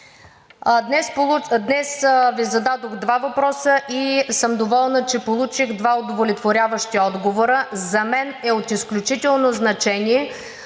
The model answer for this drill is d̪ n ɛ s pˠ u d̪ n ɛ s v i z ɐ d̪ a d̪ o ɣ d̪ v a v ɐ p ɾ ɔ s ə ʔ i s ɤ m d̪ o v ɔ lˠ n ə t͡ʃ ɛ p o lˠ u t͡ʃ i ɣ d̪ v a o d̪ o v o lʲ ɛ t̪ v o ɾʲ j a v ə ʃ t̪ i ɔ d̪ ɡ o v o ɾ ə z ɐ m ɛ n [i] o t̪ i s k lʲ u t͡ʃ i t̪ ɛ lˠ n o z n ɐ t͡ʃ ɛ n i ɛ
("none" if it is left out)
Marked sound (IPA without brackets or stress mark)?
ɛ